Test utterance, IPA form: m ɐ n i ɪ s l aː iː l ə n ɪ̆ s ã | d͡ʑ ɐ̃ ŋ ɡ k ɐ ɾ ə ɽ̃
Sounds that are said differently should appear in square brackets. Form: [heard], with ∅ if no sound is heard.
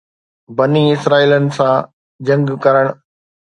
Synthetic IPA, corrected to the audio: [b] ɐ n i ɪ s [ɾ] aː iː l ə n ɪ̆ s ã | d͡ʑ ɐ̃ ŋ ɡ k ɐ ɾ ə ɽ̃